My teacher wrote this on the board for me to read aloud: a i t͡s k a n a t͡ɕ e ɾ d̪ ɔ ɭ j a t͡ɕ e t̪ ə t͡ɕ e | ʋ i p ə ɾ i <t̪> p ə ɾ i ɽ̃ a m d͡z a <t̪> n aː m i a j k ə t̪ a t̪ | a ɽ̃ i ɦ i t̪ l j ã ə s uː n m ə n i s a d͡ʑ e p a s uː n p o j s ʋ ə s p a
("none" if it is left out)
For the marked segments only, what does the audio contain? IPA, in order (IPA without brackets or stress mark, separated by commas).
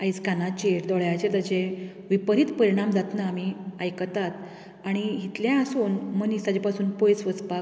t̪, t̪